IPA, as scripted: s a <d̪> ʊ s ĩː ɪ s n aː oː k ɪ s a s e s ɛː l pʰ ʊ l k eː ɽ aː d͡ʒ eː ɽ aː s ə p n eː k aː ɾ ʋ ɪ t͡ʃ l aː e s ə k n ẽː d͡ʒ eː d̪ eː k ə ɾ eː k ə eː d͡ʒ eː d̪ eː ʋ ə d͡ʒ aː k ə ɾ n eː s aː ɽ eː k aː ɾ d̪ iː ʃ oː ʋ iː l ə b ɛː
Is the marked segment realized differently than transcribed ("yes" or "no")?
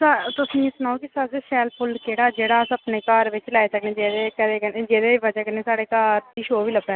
yes